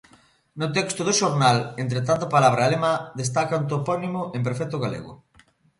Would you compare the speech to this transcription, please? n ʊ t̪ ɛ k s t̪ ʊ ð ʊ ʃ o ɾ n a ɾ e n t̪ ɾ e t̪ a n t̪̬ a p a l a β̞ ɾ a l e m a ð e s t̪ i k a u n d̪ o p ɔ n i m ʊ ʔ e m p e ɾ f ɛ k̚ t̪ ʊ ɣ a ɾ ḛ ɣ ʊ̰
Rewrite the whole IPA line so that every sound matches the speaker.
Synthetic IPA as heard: n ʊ t̪ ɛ k s t̪ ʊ ð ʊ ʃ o ɾ n a l e n t̪ ɾ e t̪ a n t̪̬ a p a l a β̞ ɾ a l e m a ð e s t̪ a k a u n t̪ o p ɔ n i m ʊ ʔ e m p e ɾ f ɛ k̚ t̪ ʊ ɣ a l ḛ ɣ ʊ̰